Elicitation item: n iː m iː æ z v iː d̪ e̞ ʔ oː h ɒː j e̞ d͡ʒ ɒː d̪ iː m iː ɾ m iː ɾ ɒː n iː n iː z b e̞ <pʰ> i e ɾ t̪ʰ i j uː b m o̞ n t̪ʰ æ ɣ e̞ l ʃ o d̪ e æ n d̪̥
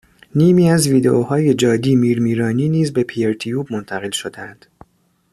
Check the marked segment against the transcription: correct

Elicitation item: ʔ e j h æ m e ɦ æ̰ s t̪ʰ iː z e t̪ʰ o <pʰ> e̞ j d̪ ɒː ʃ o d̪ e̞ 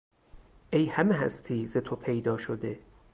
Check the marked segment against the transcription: correct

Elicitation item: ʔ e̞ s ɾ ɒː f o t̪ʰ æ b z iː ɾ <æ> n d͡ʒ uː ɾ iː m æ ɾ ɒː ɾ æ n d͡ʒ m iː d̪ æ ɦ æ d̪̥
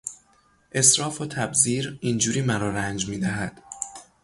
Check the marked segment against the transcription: incorrect: i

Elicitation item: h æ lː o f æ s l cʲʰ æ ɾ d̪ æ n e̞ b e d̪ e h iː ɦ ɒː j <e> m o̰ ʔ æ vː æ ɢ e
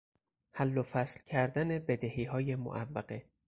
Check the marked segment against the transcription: correct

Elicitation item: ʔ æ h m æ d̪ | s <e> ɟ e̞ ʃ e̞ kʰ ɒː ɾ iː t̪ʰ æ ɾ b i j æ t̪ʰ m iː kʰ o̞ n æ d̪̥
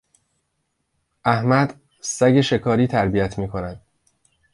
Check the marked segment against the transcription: incorrect: æ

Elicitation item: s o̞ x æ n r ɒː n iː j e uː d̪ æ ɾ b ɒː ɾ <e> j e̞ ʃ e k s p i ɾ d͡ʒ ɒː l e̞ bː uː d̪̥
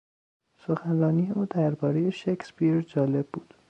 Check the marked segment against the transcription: correct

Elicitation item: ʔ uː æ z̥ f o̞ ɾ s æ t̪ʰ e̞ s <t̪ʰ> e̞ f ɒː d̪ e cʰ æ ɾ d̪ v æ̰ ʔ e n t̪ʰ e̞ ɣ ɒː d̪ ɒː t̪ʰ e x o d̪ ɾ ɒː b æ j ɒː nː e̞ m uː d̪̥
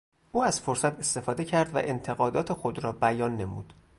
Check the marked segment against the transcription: incorrect: t̪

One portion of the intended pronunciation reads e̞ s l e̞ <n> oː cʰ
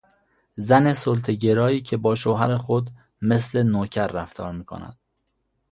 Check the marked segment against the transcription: correct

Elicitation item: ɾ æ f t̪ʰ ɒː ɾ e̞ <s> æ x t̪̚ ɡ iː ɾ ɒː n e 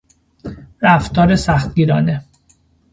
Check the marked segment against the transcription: correct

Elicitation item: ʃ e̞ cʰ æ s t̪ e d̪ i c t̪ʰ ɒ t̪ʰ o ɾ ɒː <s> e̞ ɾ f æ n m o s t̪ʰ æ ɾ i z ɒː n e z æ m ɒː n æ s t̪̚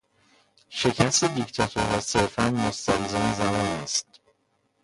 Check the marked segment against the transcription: correct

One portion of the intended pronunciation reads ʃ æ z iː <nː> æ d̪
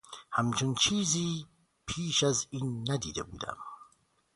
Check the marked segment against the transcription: correct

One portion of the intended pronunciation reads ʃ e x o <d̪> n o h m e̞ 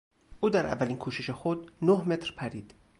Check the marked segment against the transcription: correct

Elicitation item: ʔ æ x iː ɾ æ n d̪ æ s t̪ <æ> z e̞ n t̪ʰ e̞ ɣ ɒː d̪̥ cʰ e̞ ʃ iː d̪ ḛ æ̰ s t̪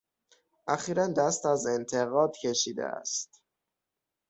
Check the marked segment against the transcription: correct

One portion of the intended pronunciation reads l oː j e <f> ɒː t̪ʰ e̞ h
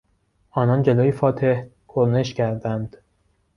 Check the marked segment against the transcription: correct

